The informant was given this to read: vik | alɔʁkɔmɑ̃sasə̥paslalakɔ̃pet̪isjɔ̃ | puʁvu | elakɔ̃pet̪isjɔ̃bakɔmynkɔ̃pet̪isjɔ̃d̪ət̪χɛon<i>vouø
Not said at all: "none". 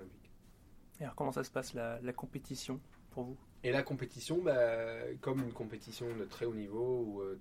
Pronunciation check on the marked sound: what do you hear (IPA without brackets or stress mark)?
i